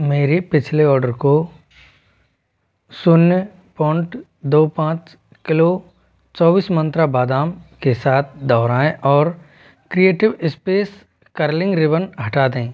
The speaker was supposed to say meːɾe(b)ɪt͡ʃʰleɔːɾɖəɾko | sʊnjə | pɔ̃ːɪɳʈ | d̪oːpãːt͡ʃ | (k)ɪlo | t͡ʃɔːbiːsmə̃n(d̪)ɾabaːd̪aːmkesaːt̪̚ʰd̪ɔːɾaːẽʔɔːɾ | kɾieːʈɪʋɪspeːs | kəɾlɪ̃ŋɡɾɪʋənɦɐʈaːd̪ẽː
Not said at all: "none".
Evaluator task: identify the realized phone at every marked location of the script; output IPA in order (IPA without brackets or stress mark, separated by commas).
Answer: p, k, t̪